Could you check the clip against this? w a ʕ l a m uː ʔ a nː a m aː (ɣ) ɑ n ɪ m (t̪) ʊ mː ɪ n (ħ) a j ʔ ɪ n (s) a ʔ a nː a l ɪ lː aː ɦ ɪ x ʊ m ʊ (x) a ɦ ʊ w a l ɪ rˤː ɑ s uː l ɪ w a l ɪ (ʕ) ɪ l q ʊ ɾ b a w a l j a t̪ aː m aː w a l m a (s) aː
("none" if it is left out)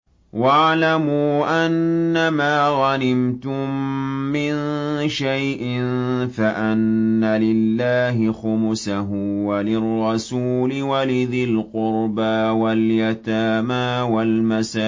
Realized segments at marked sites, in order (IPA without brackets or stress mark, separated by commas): ɣ, t̪, ʃ, f, s, ð, s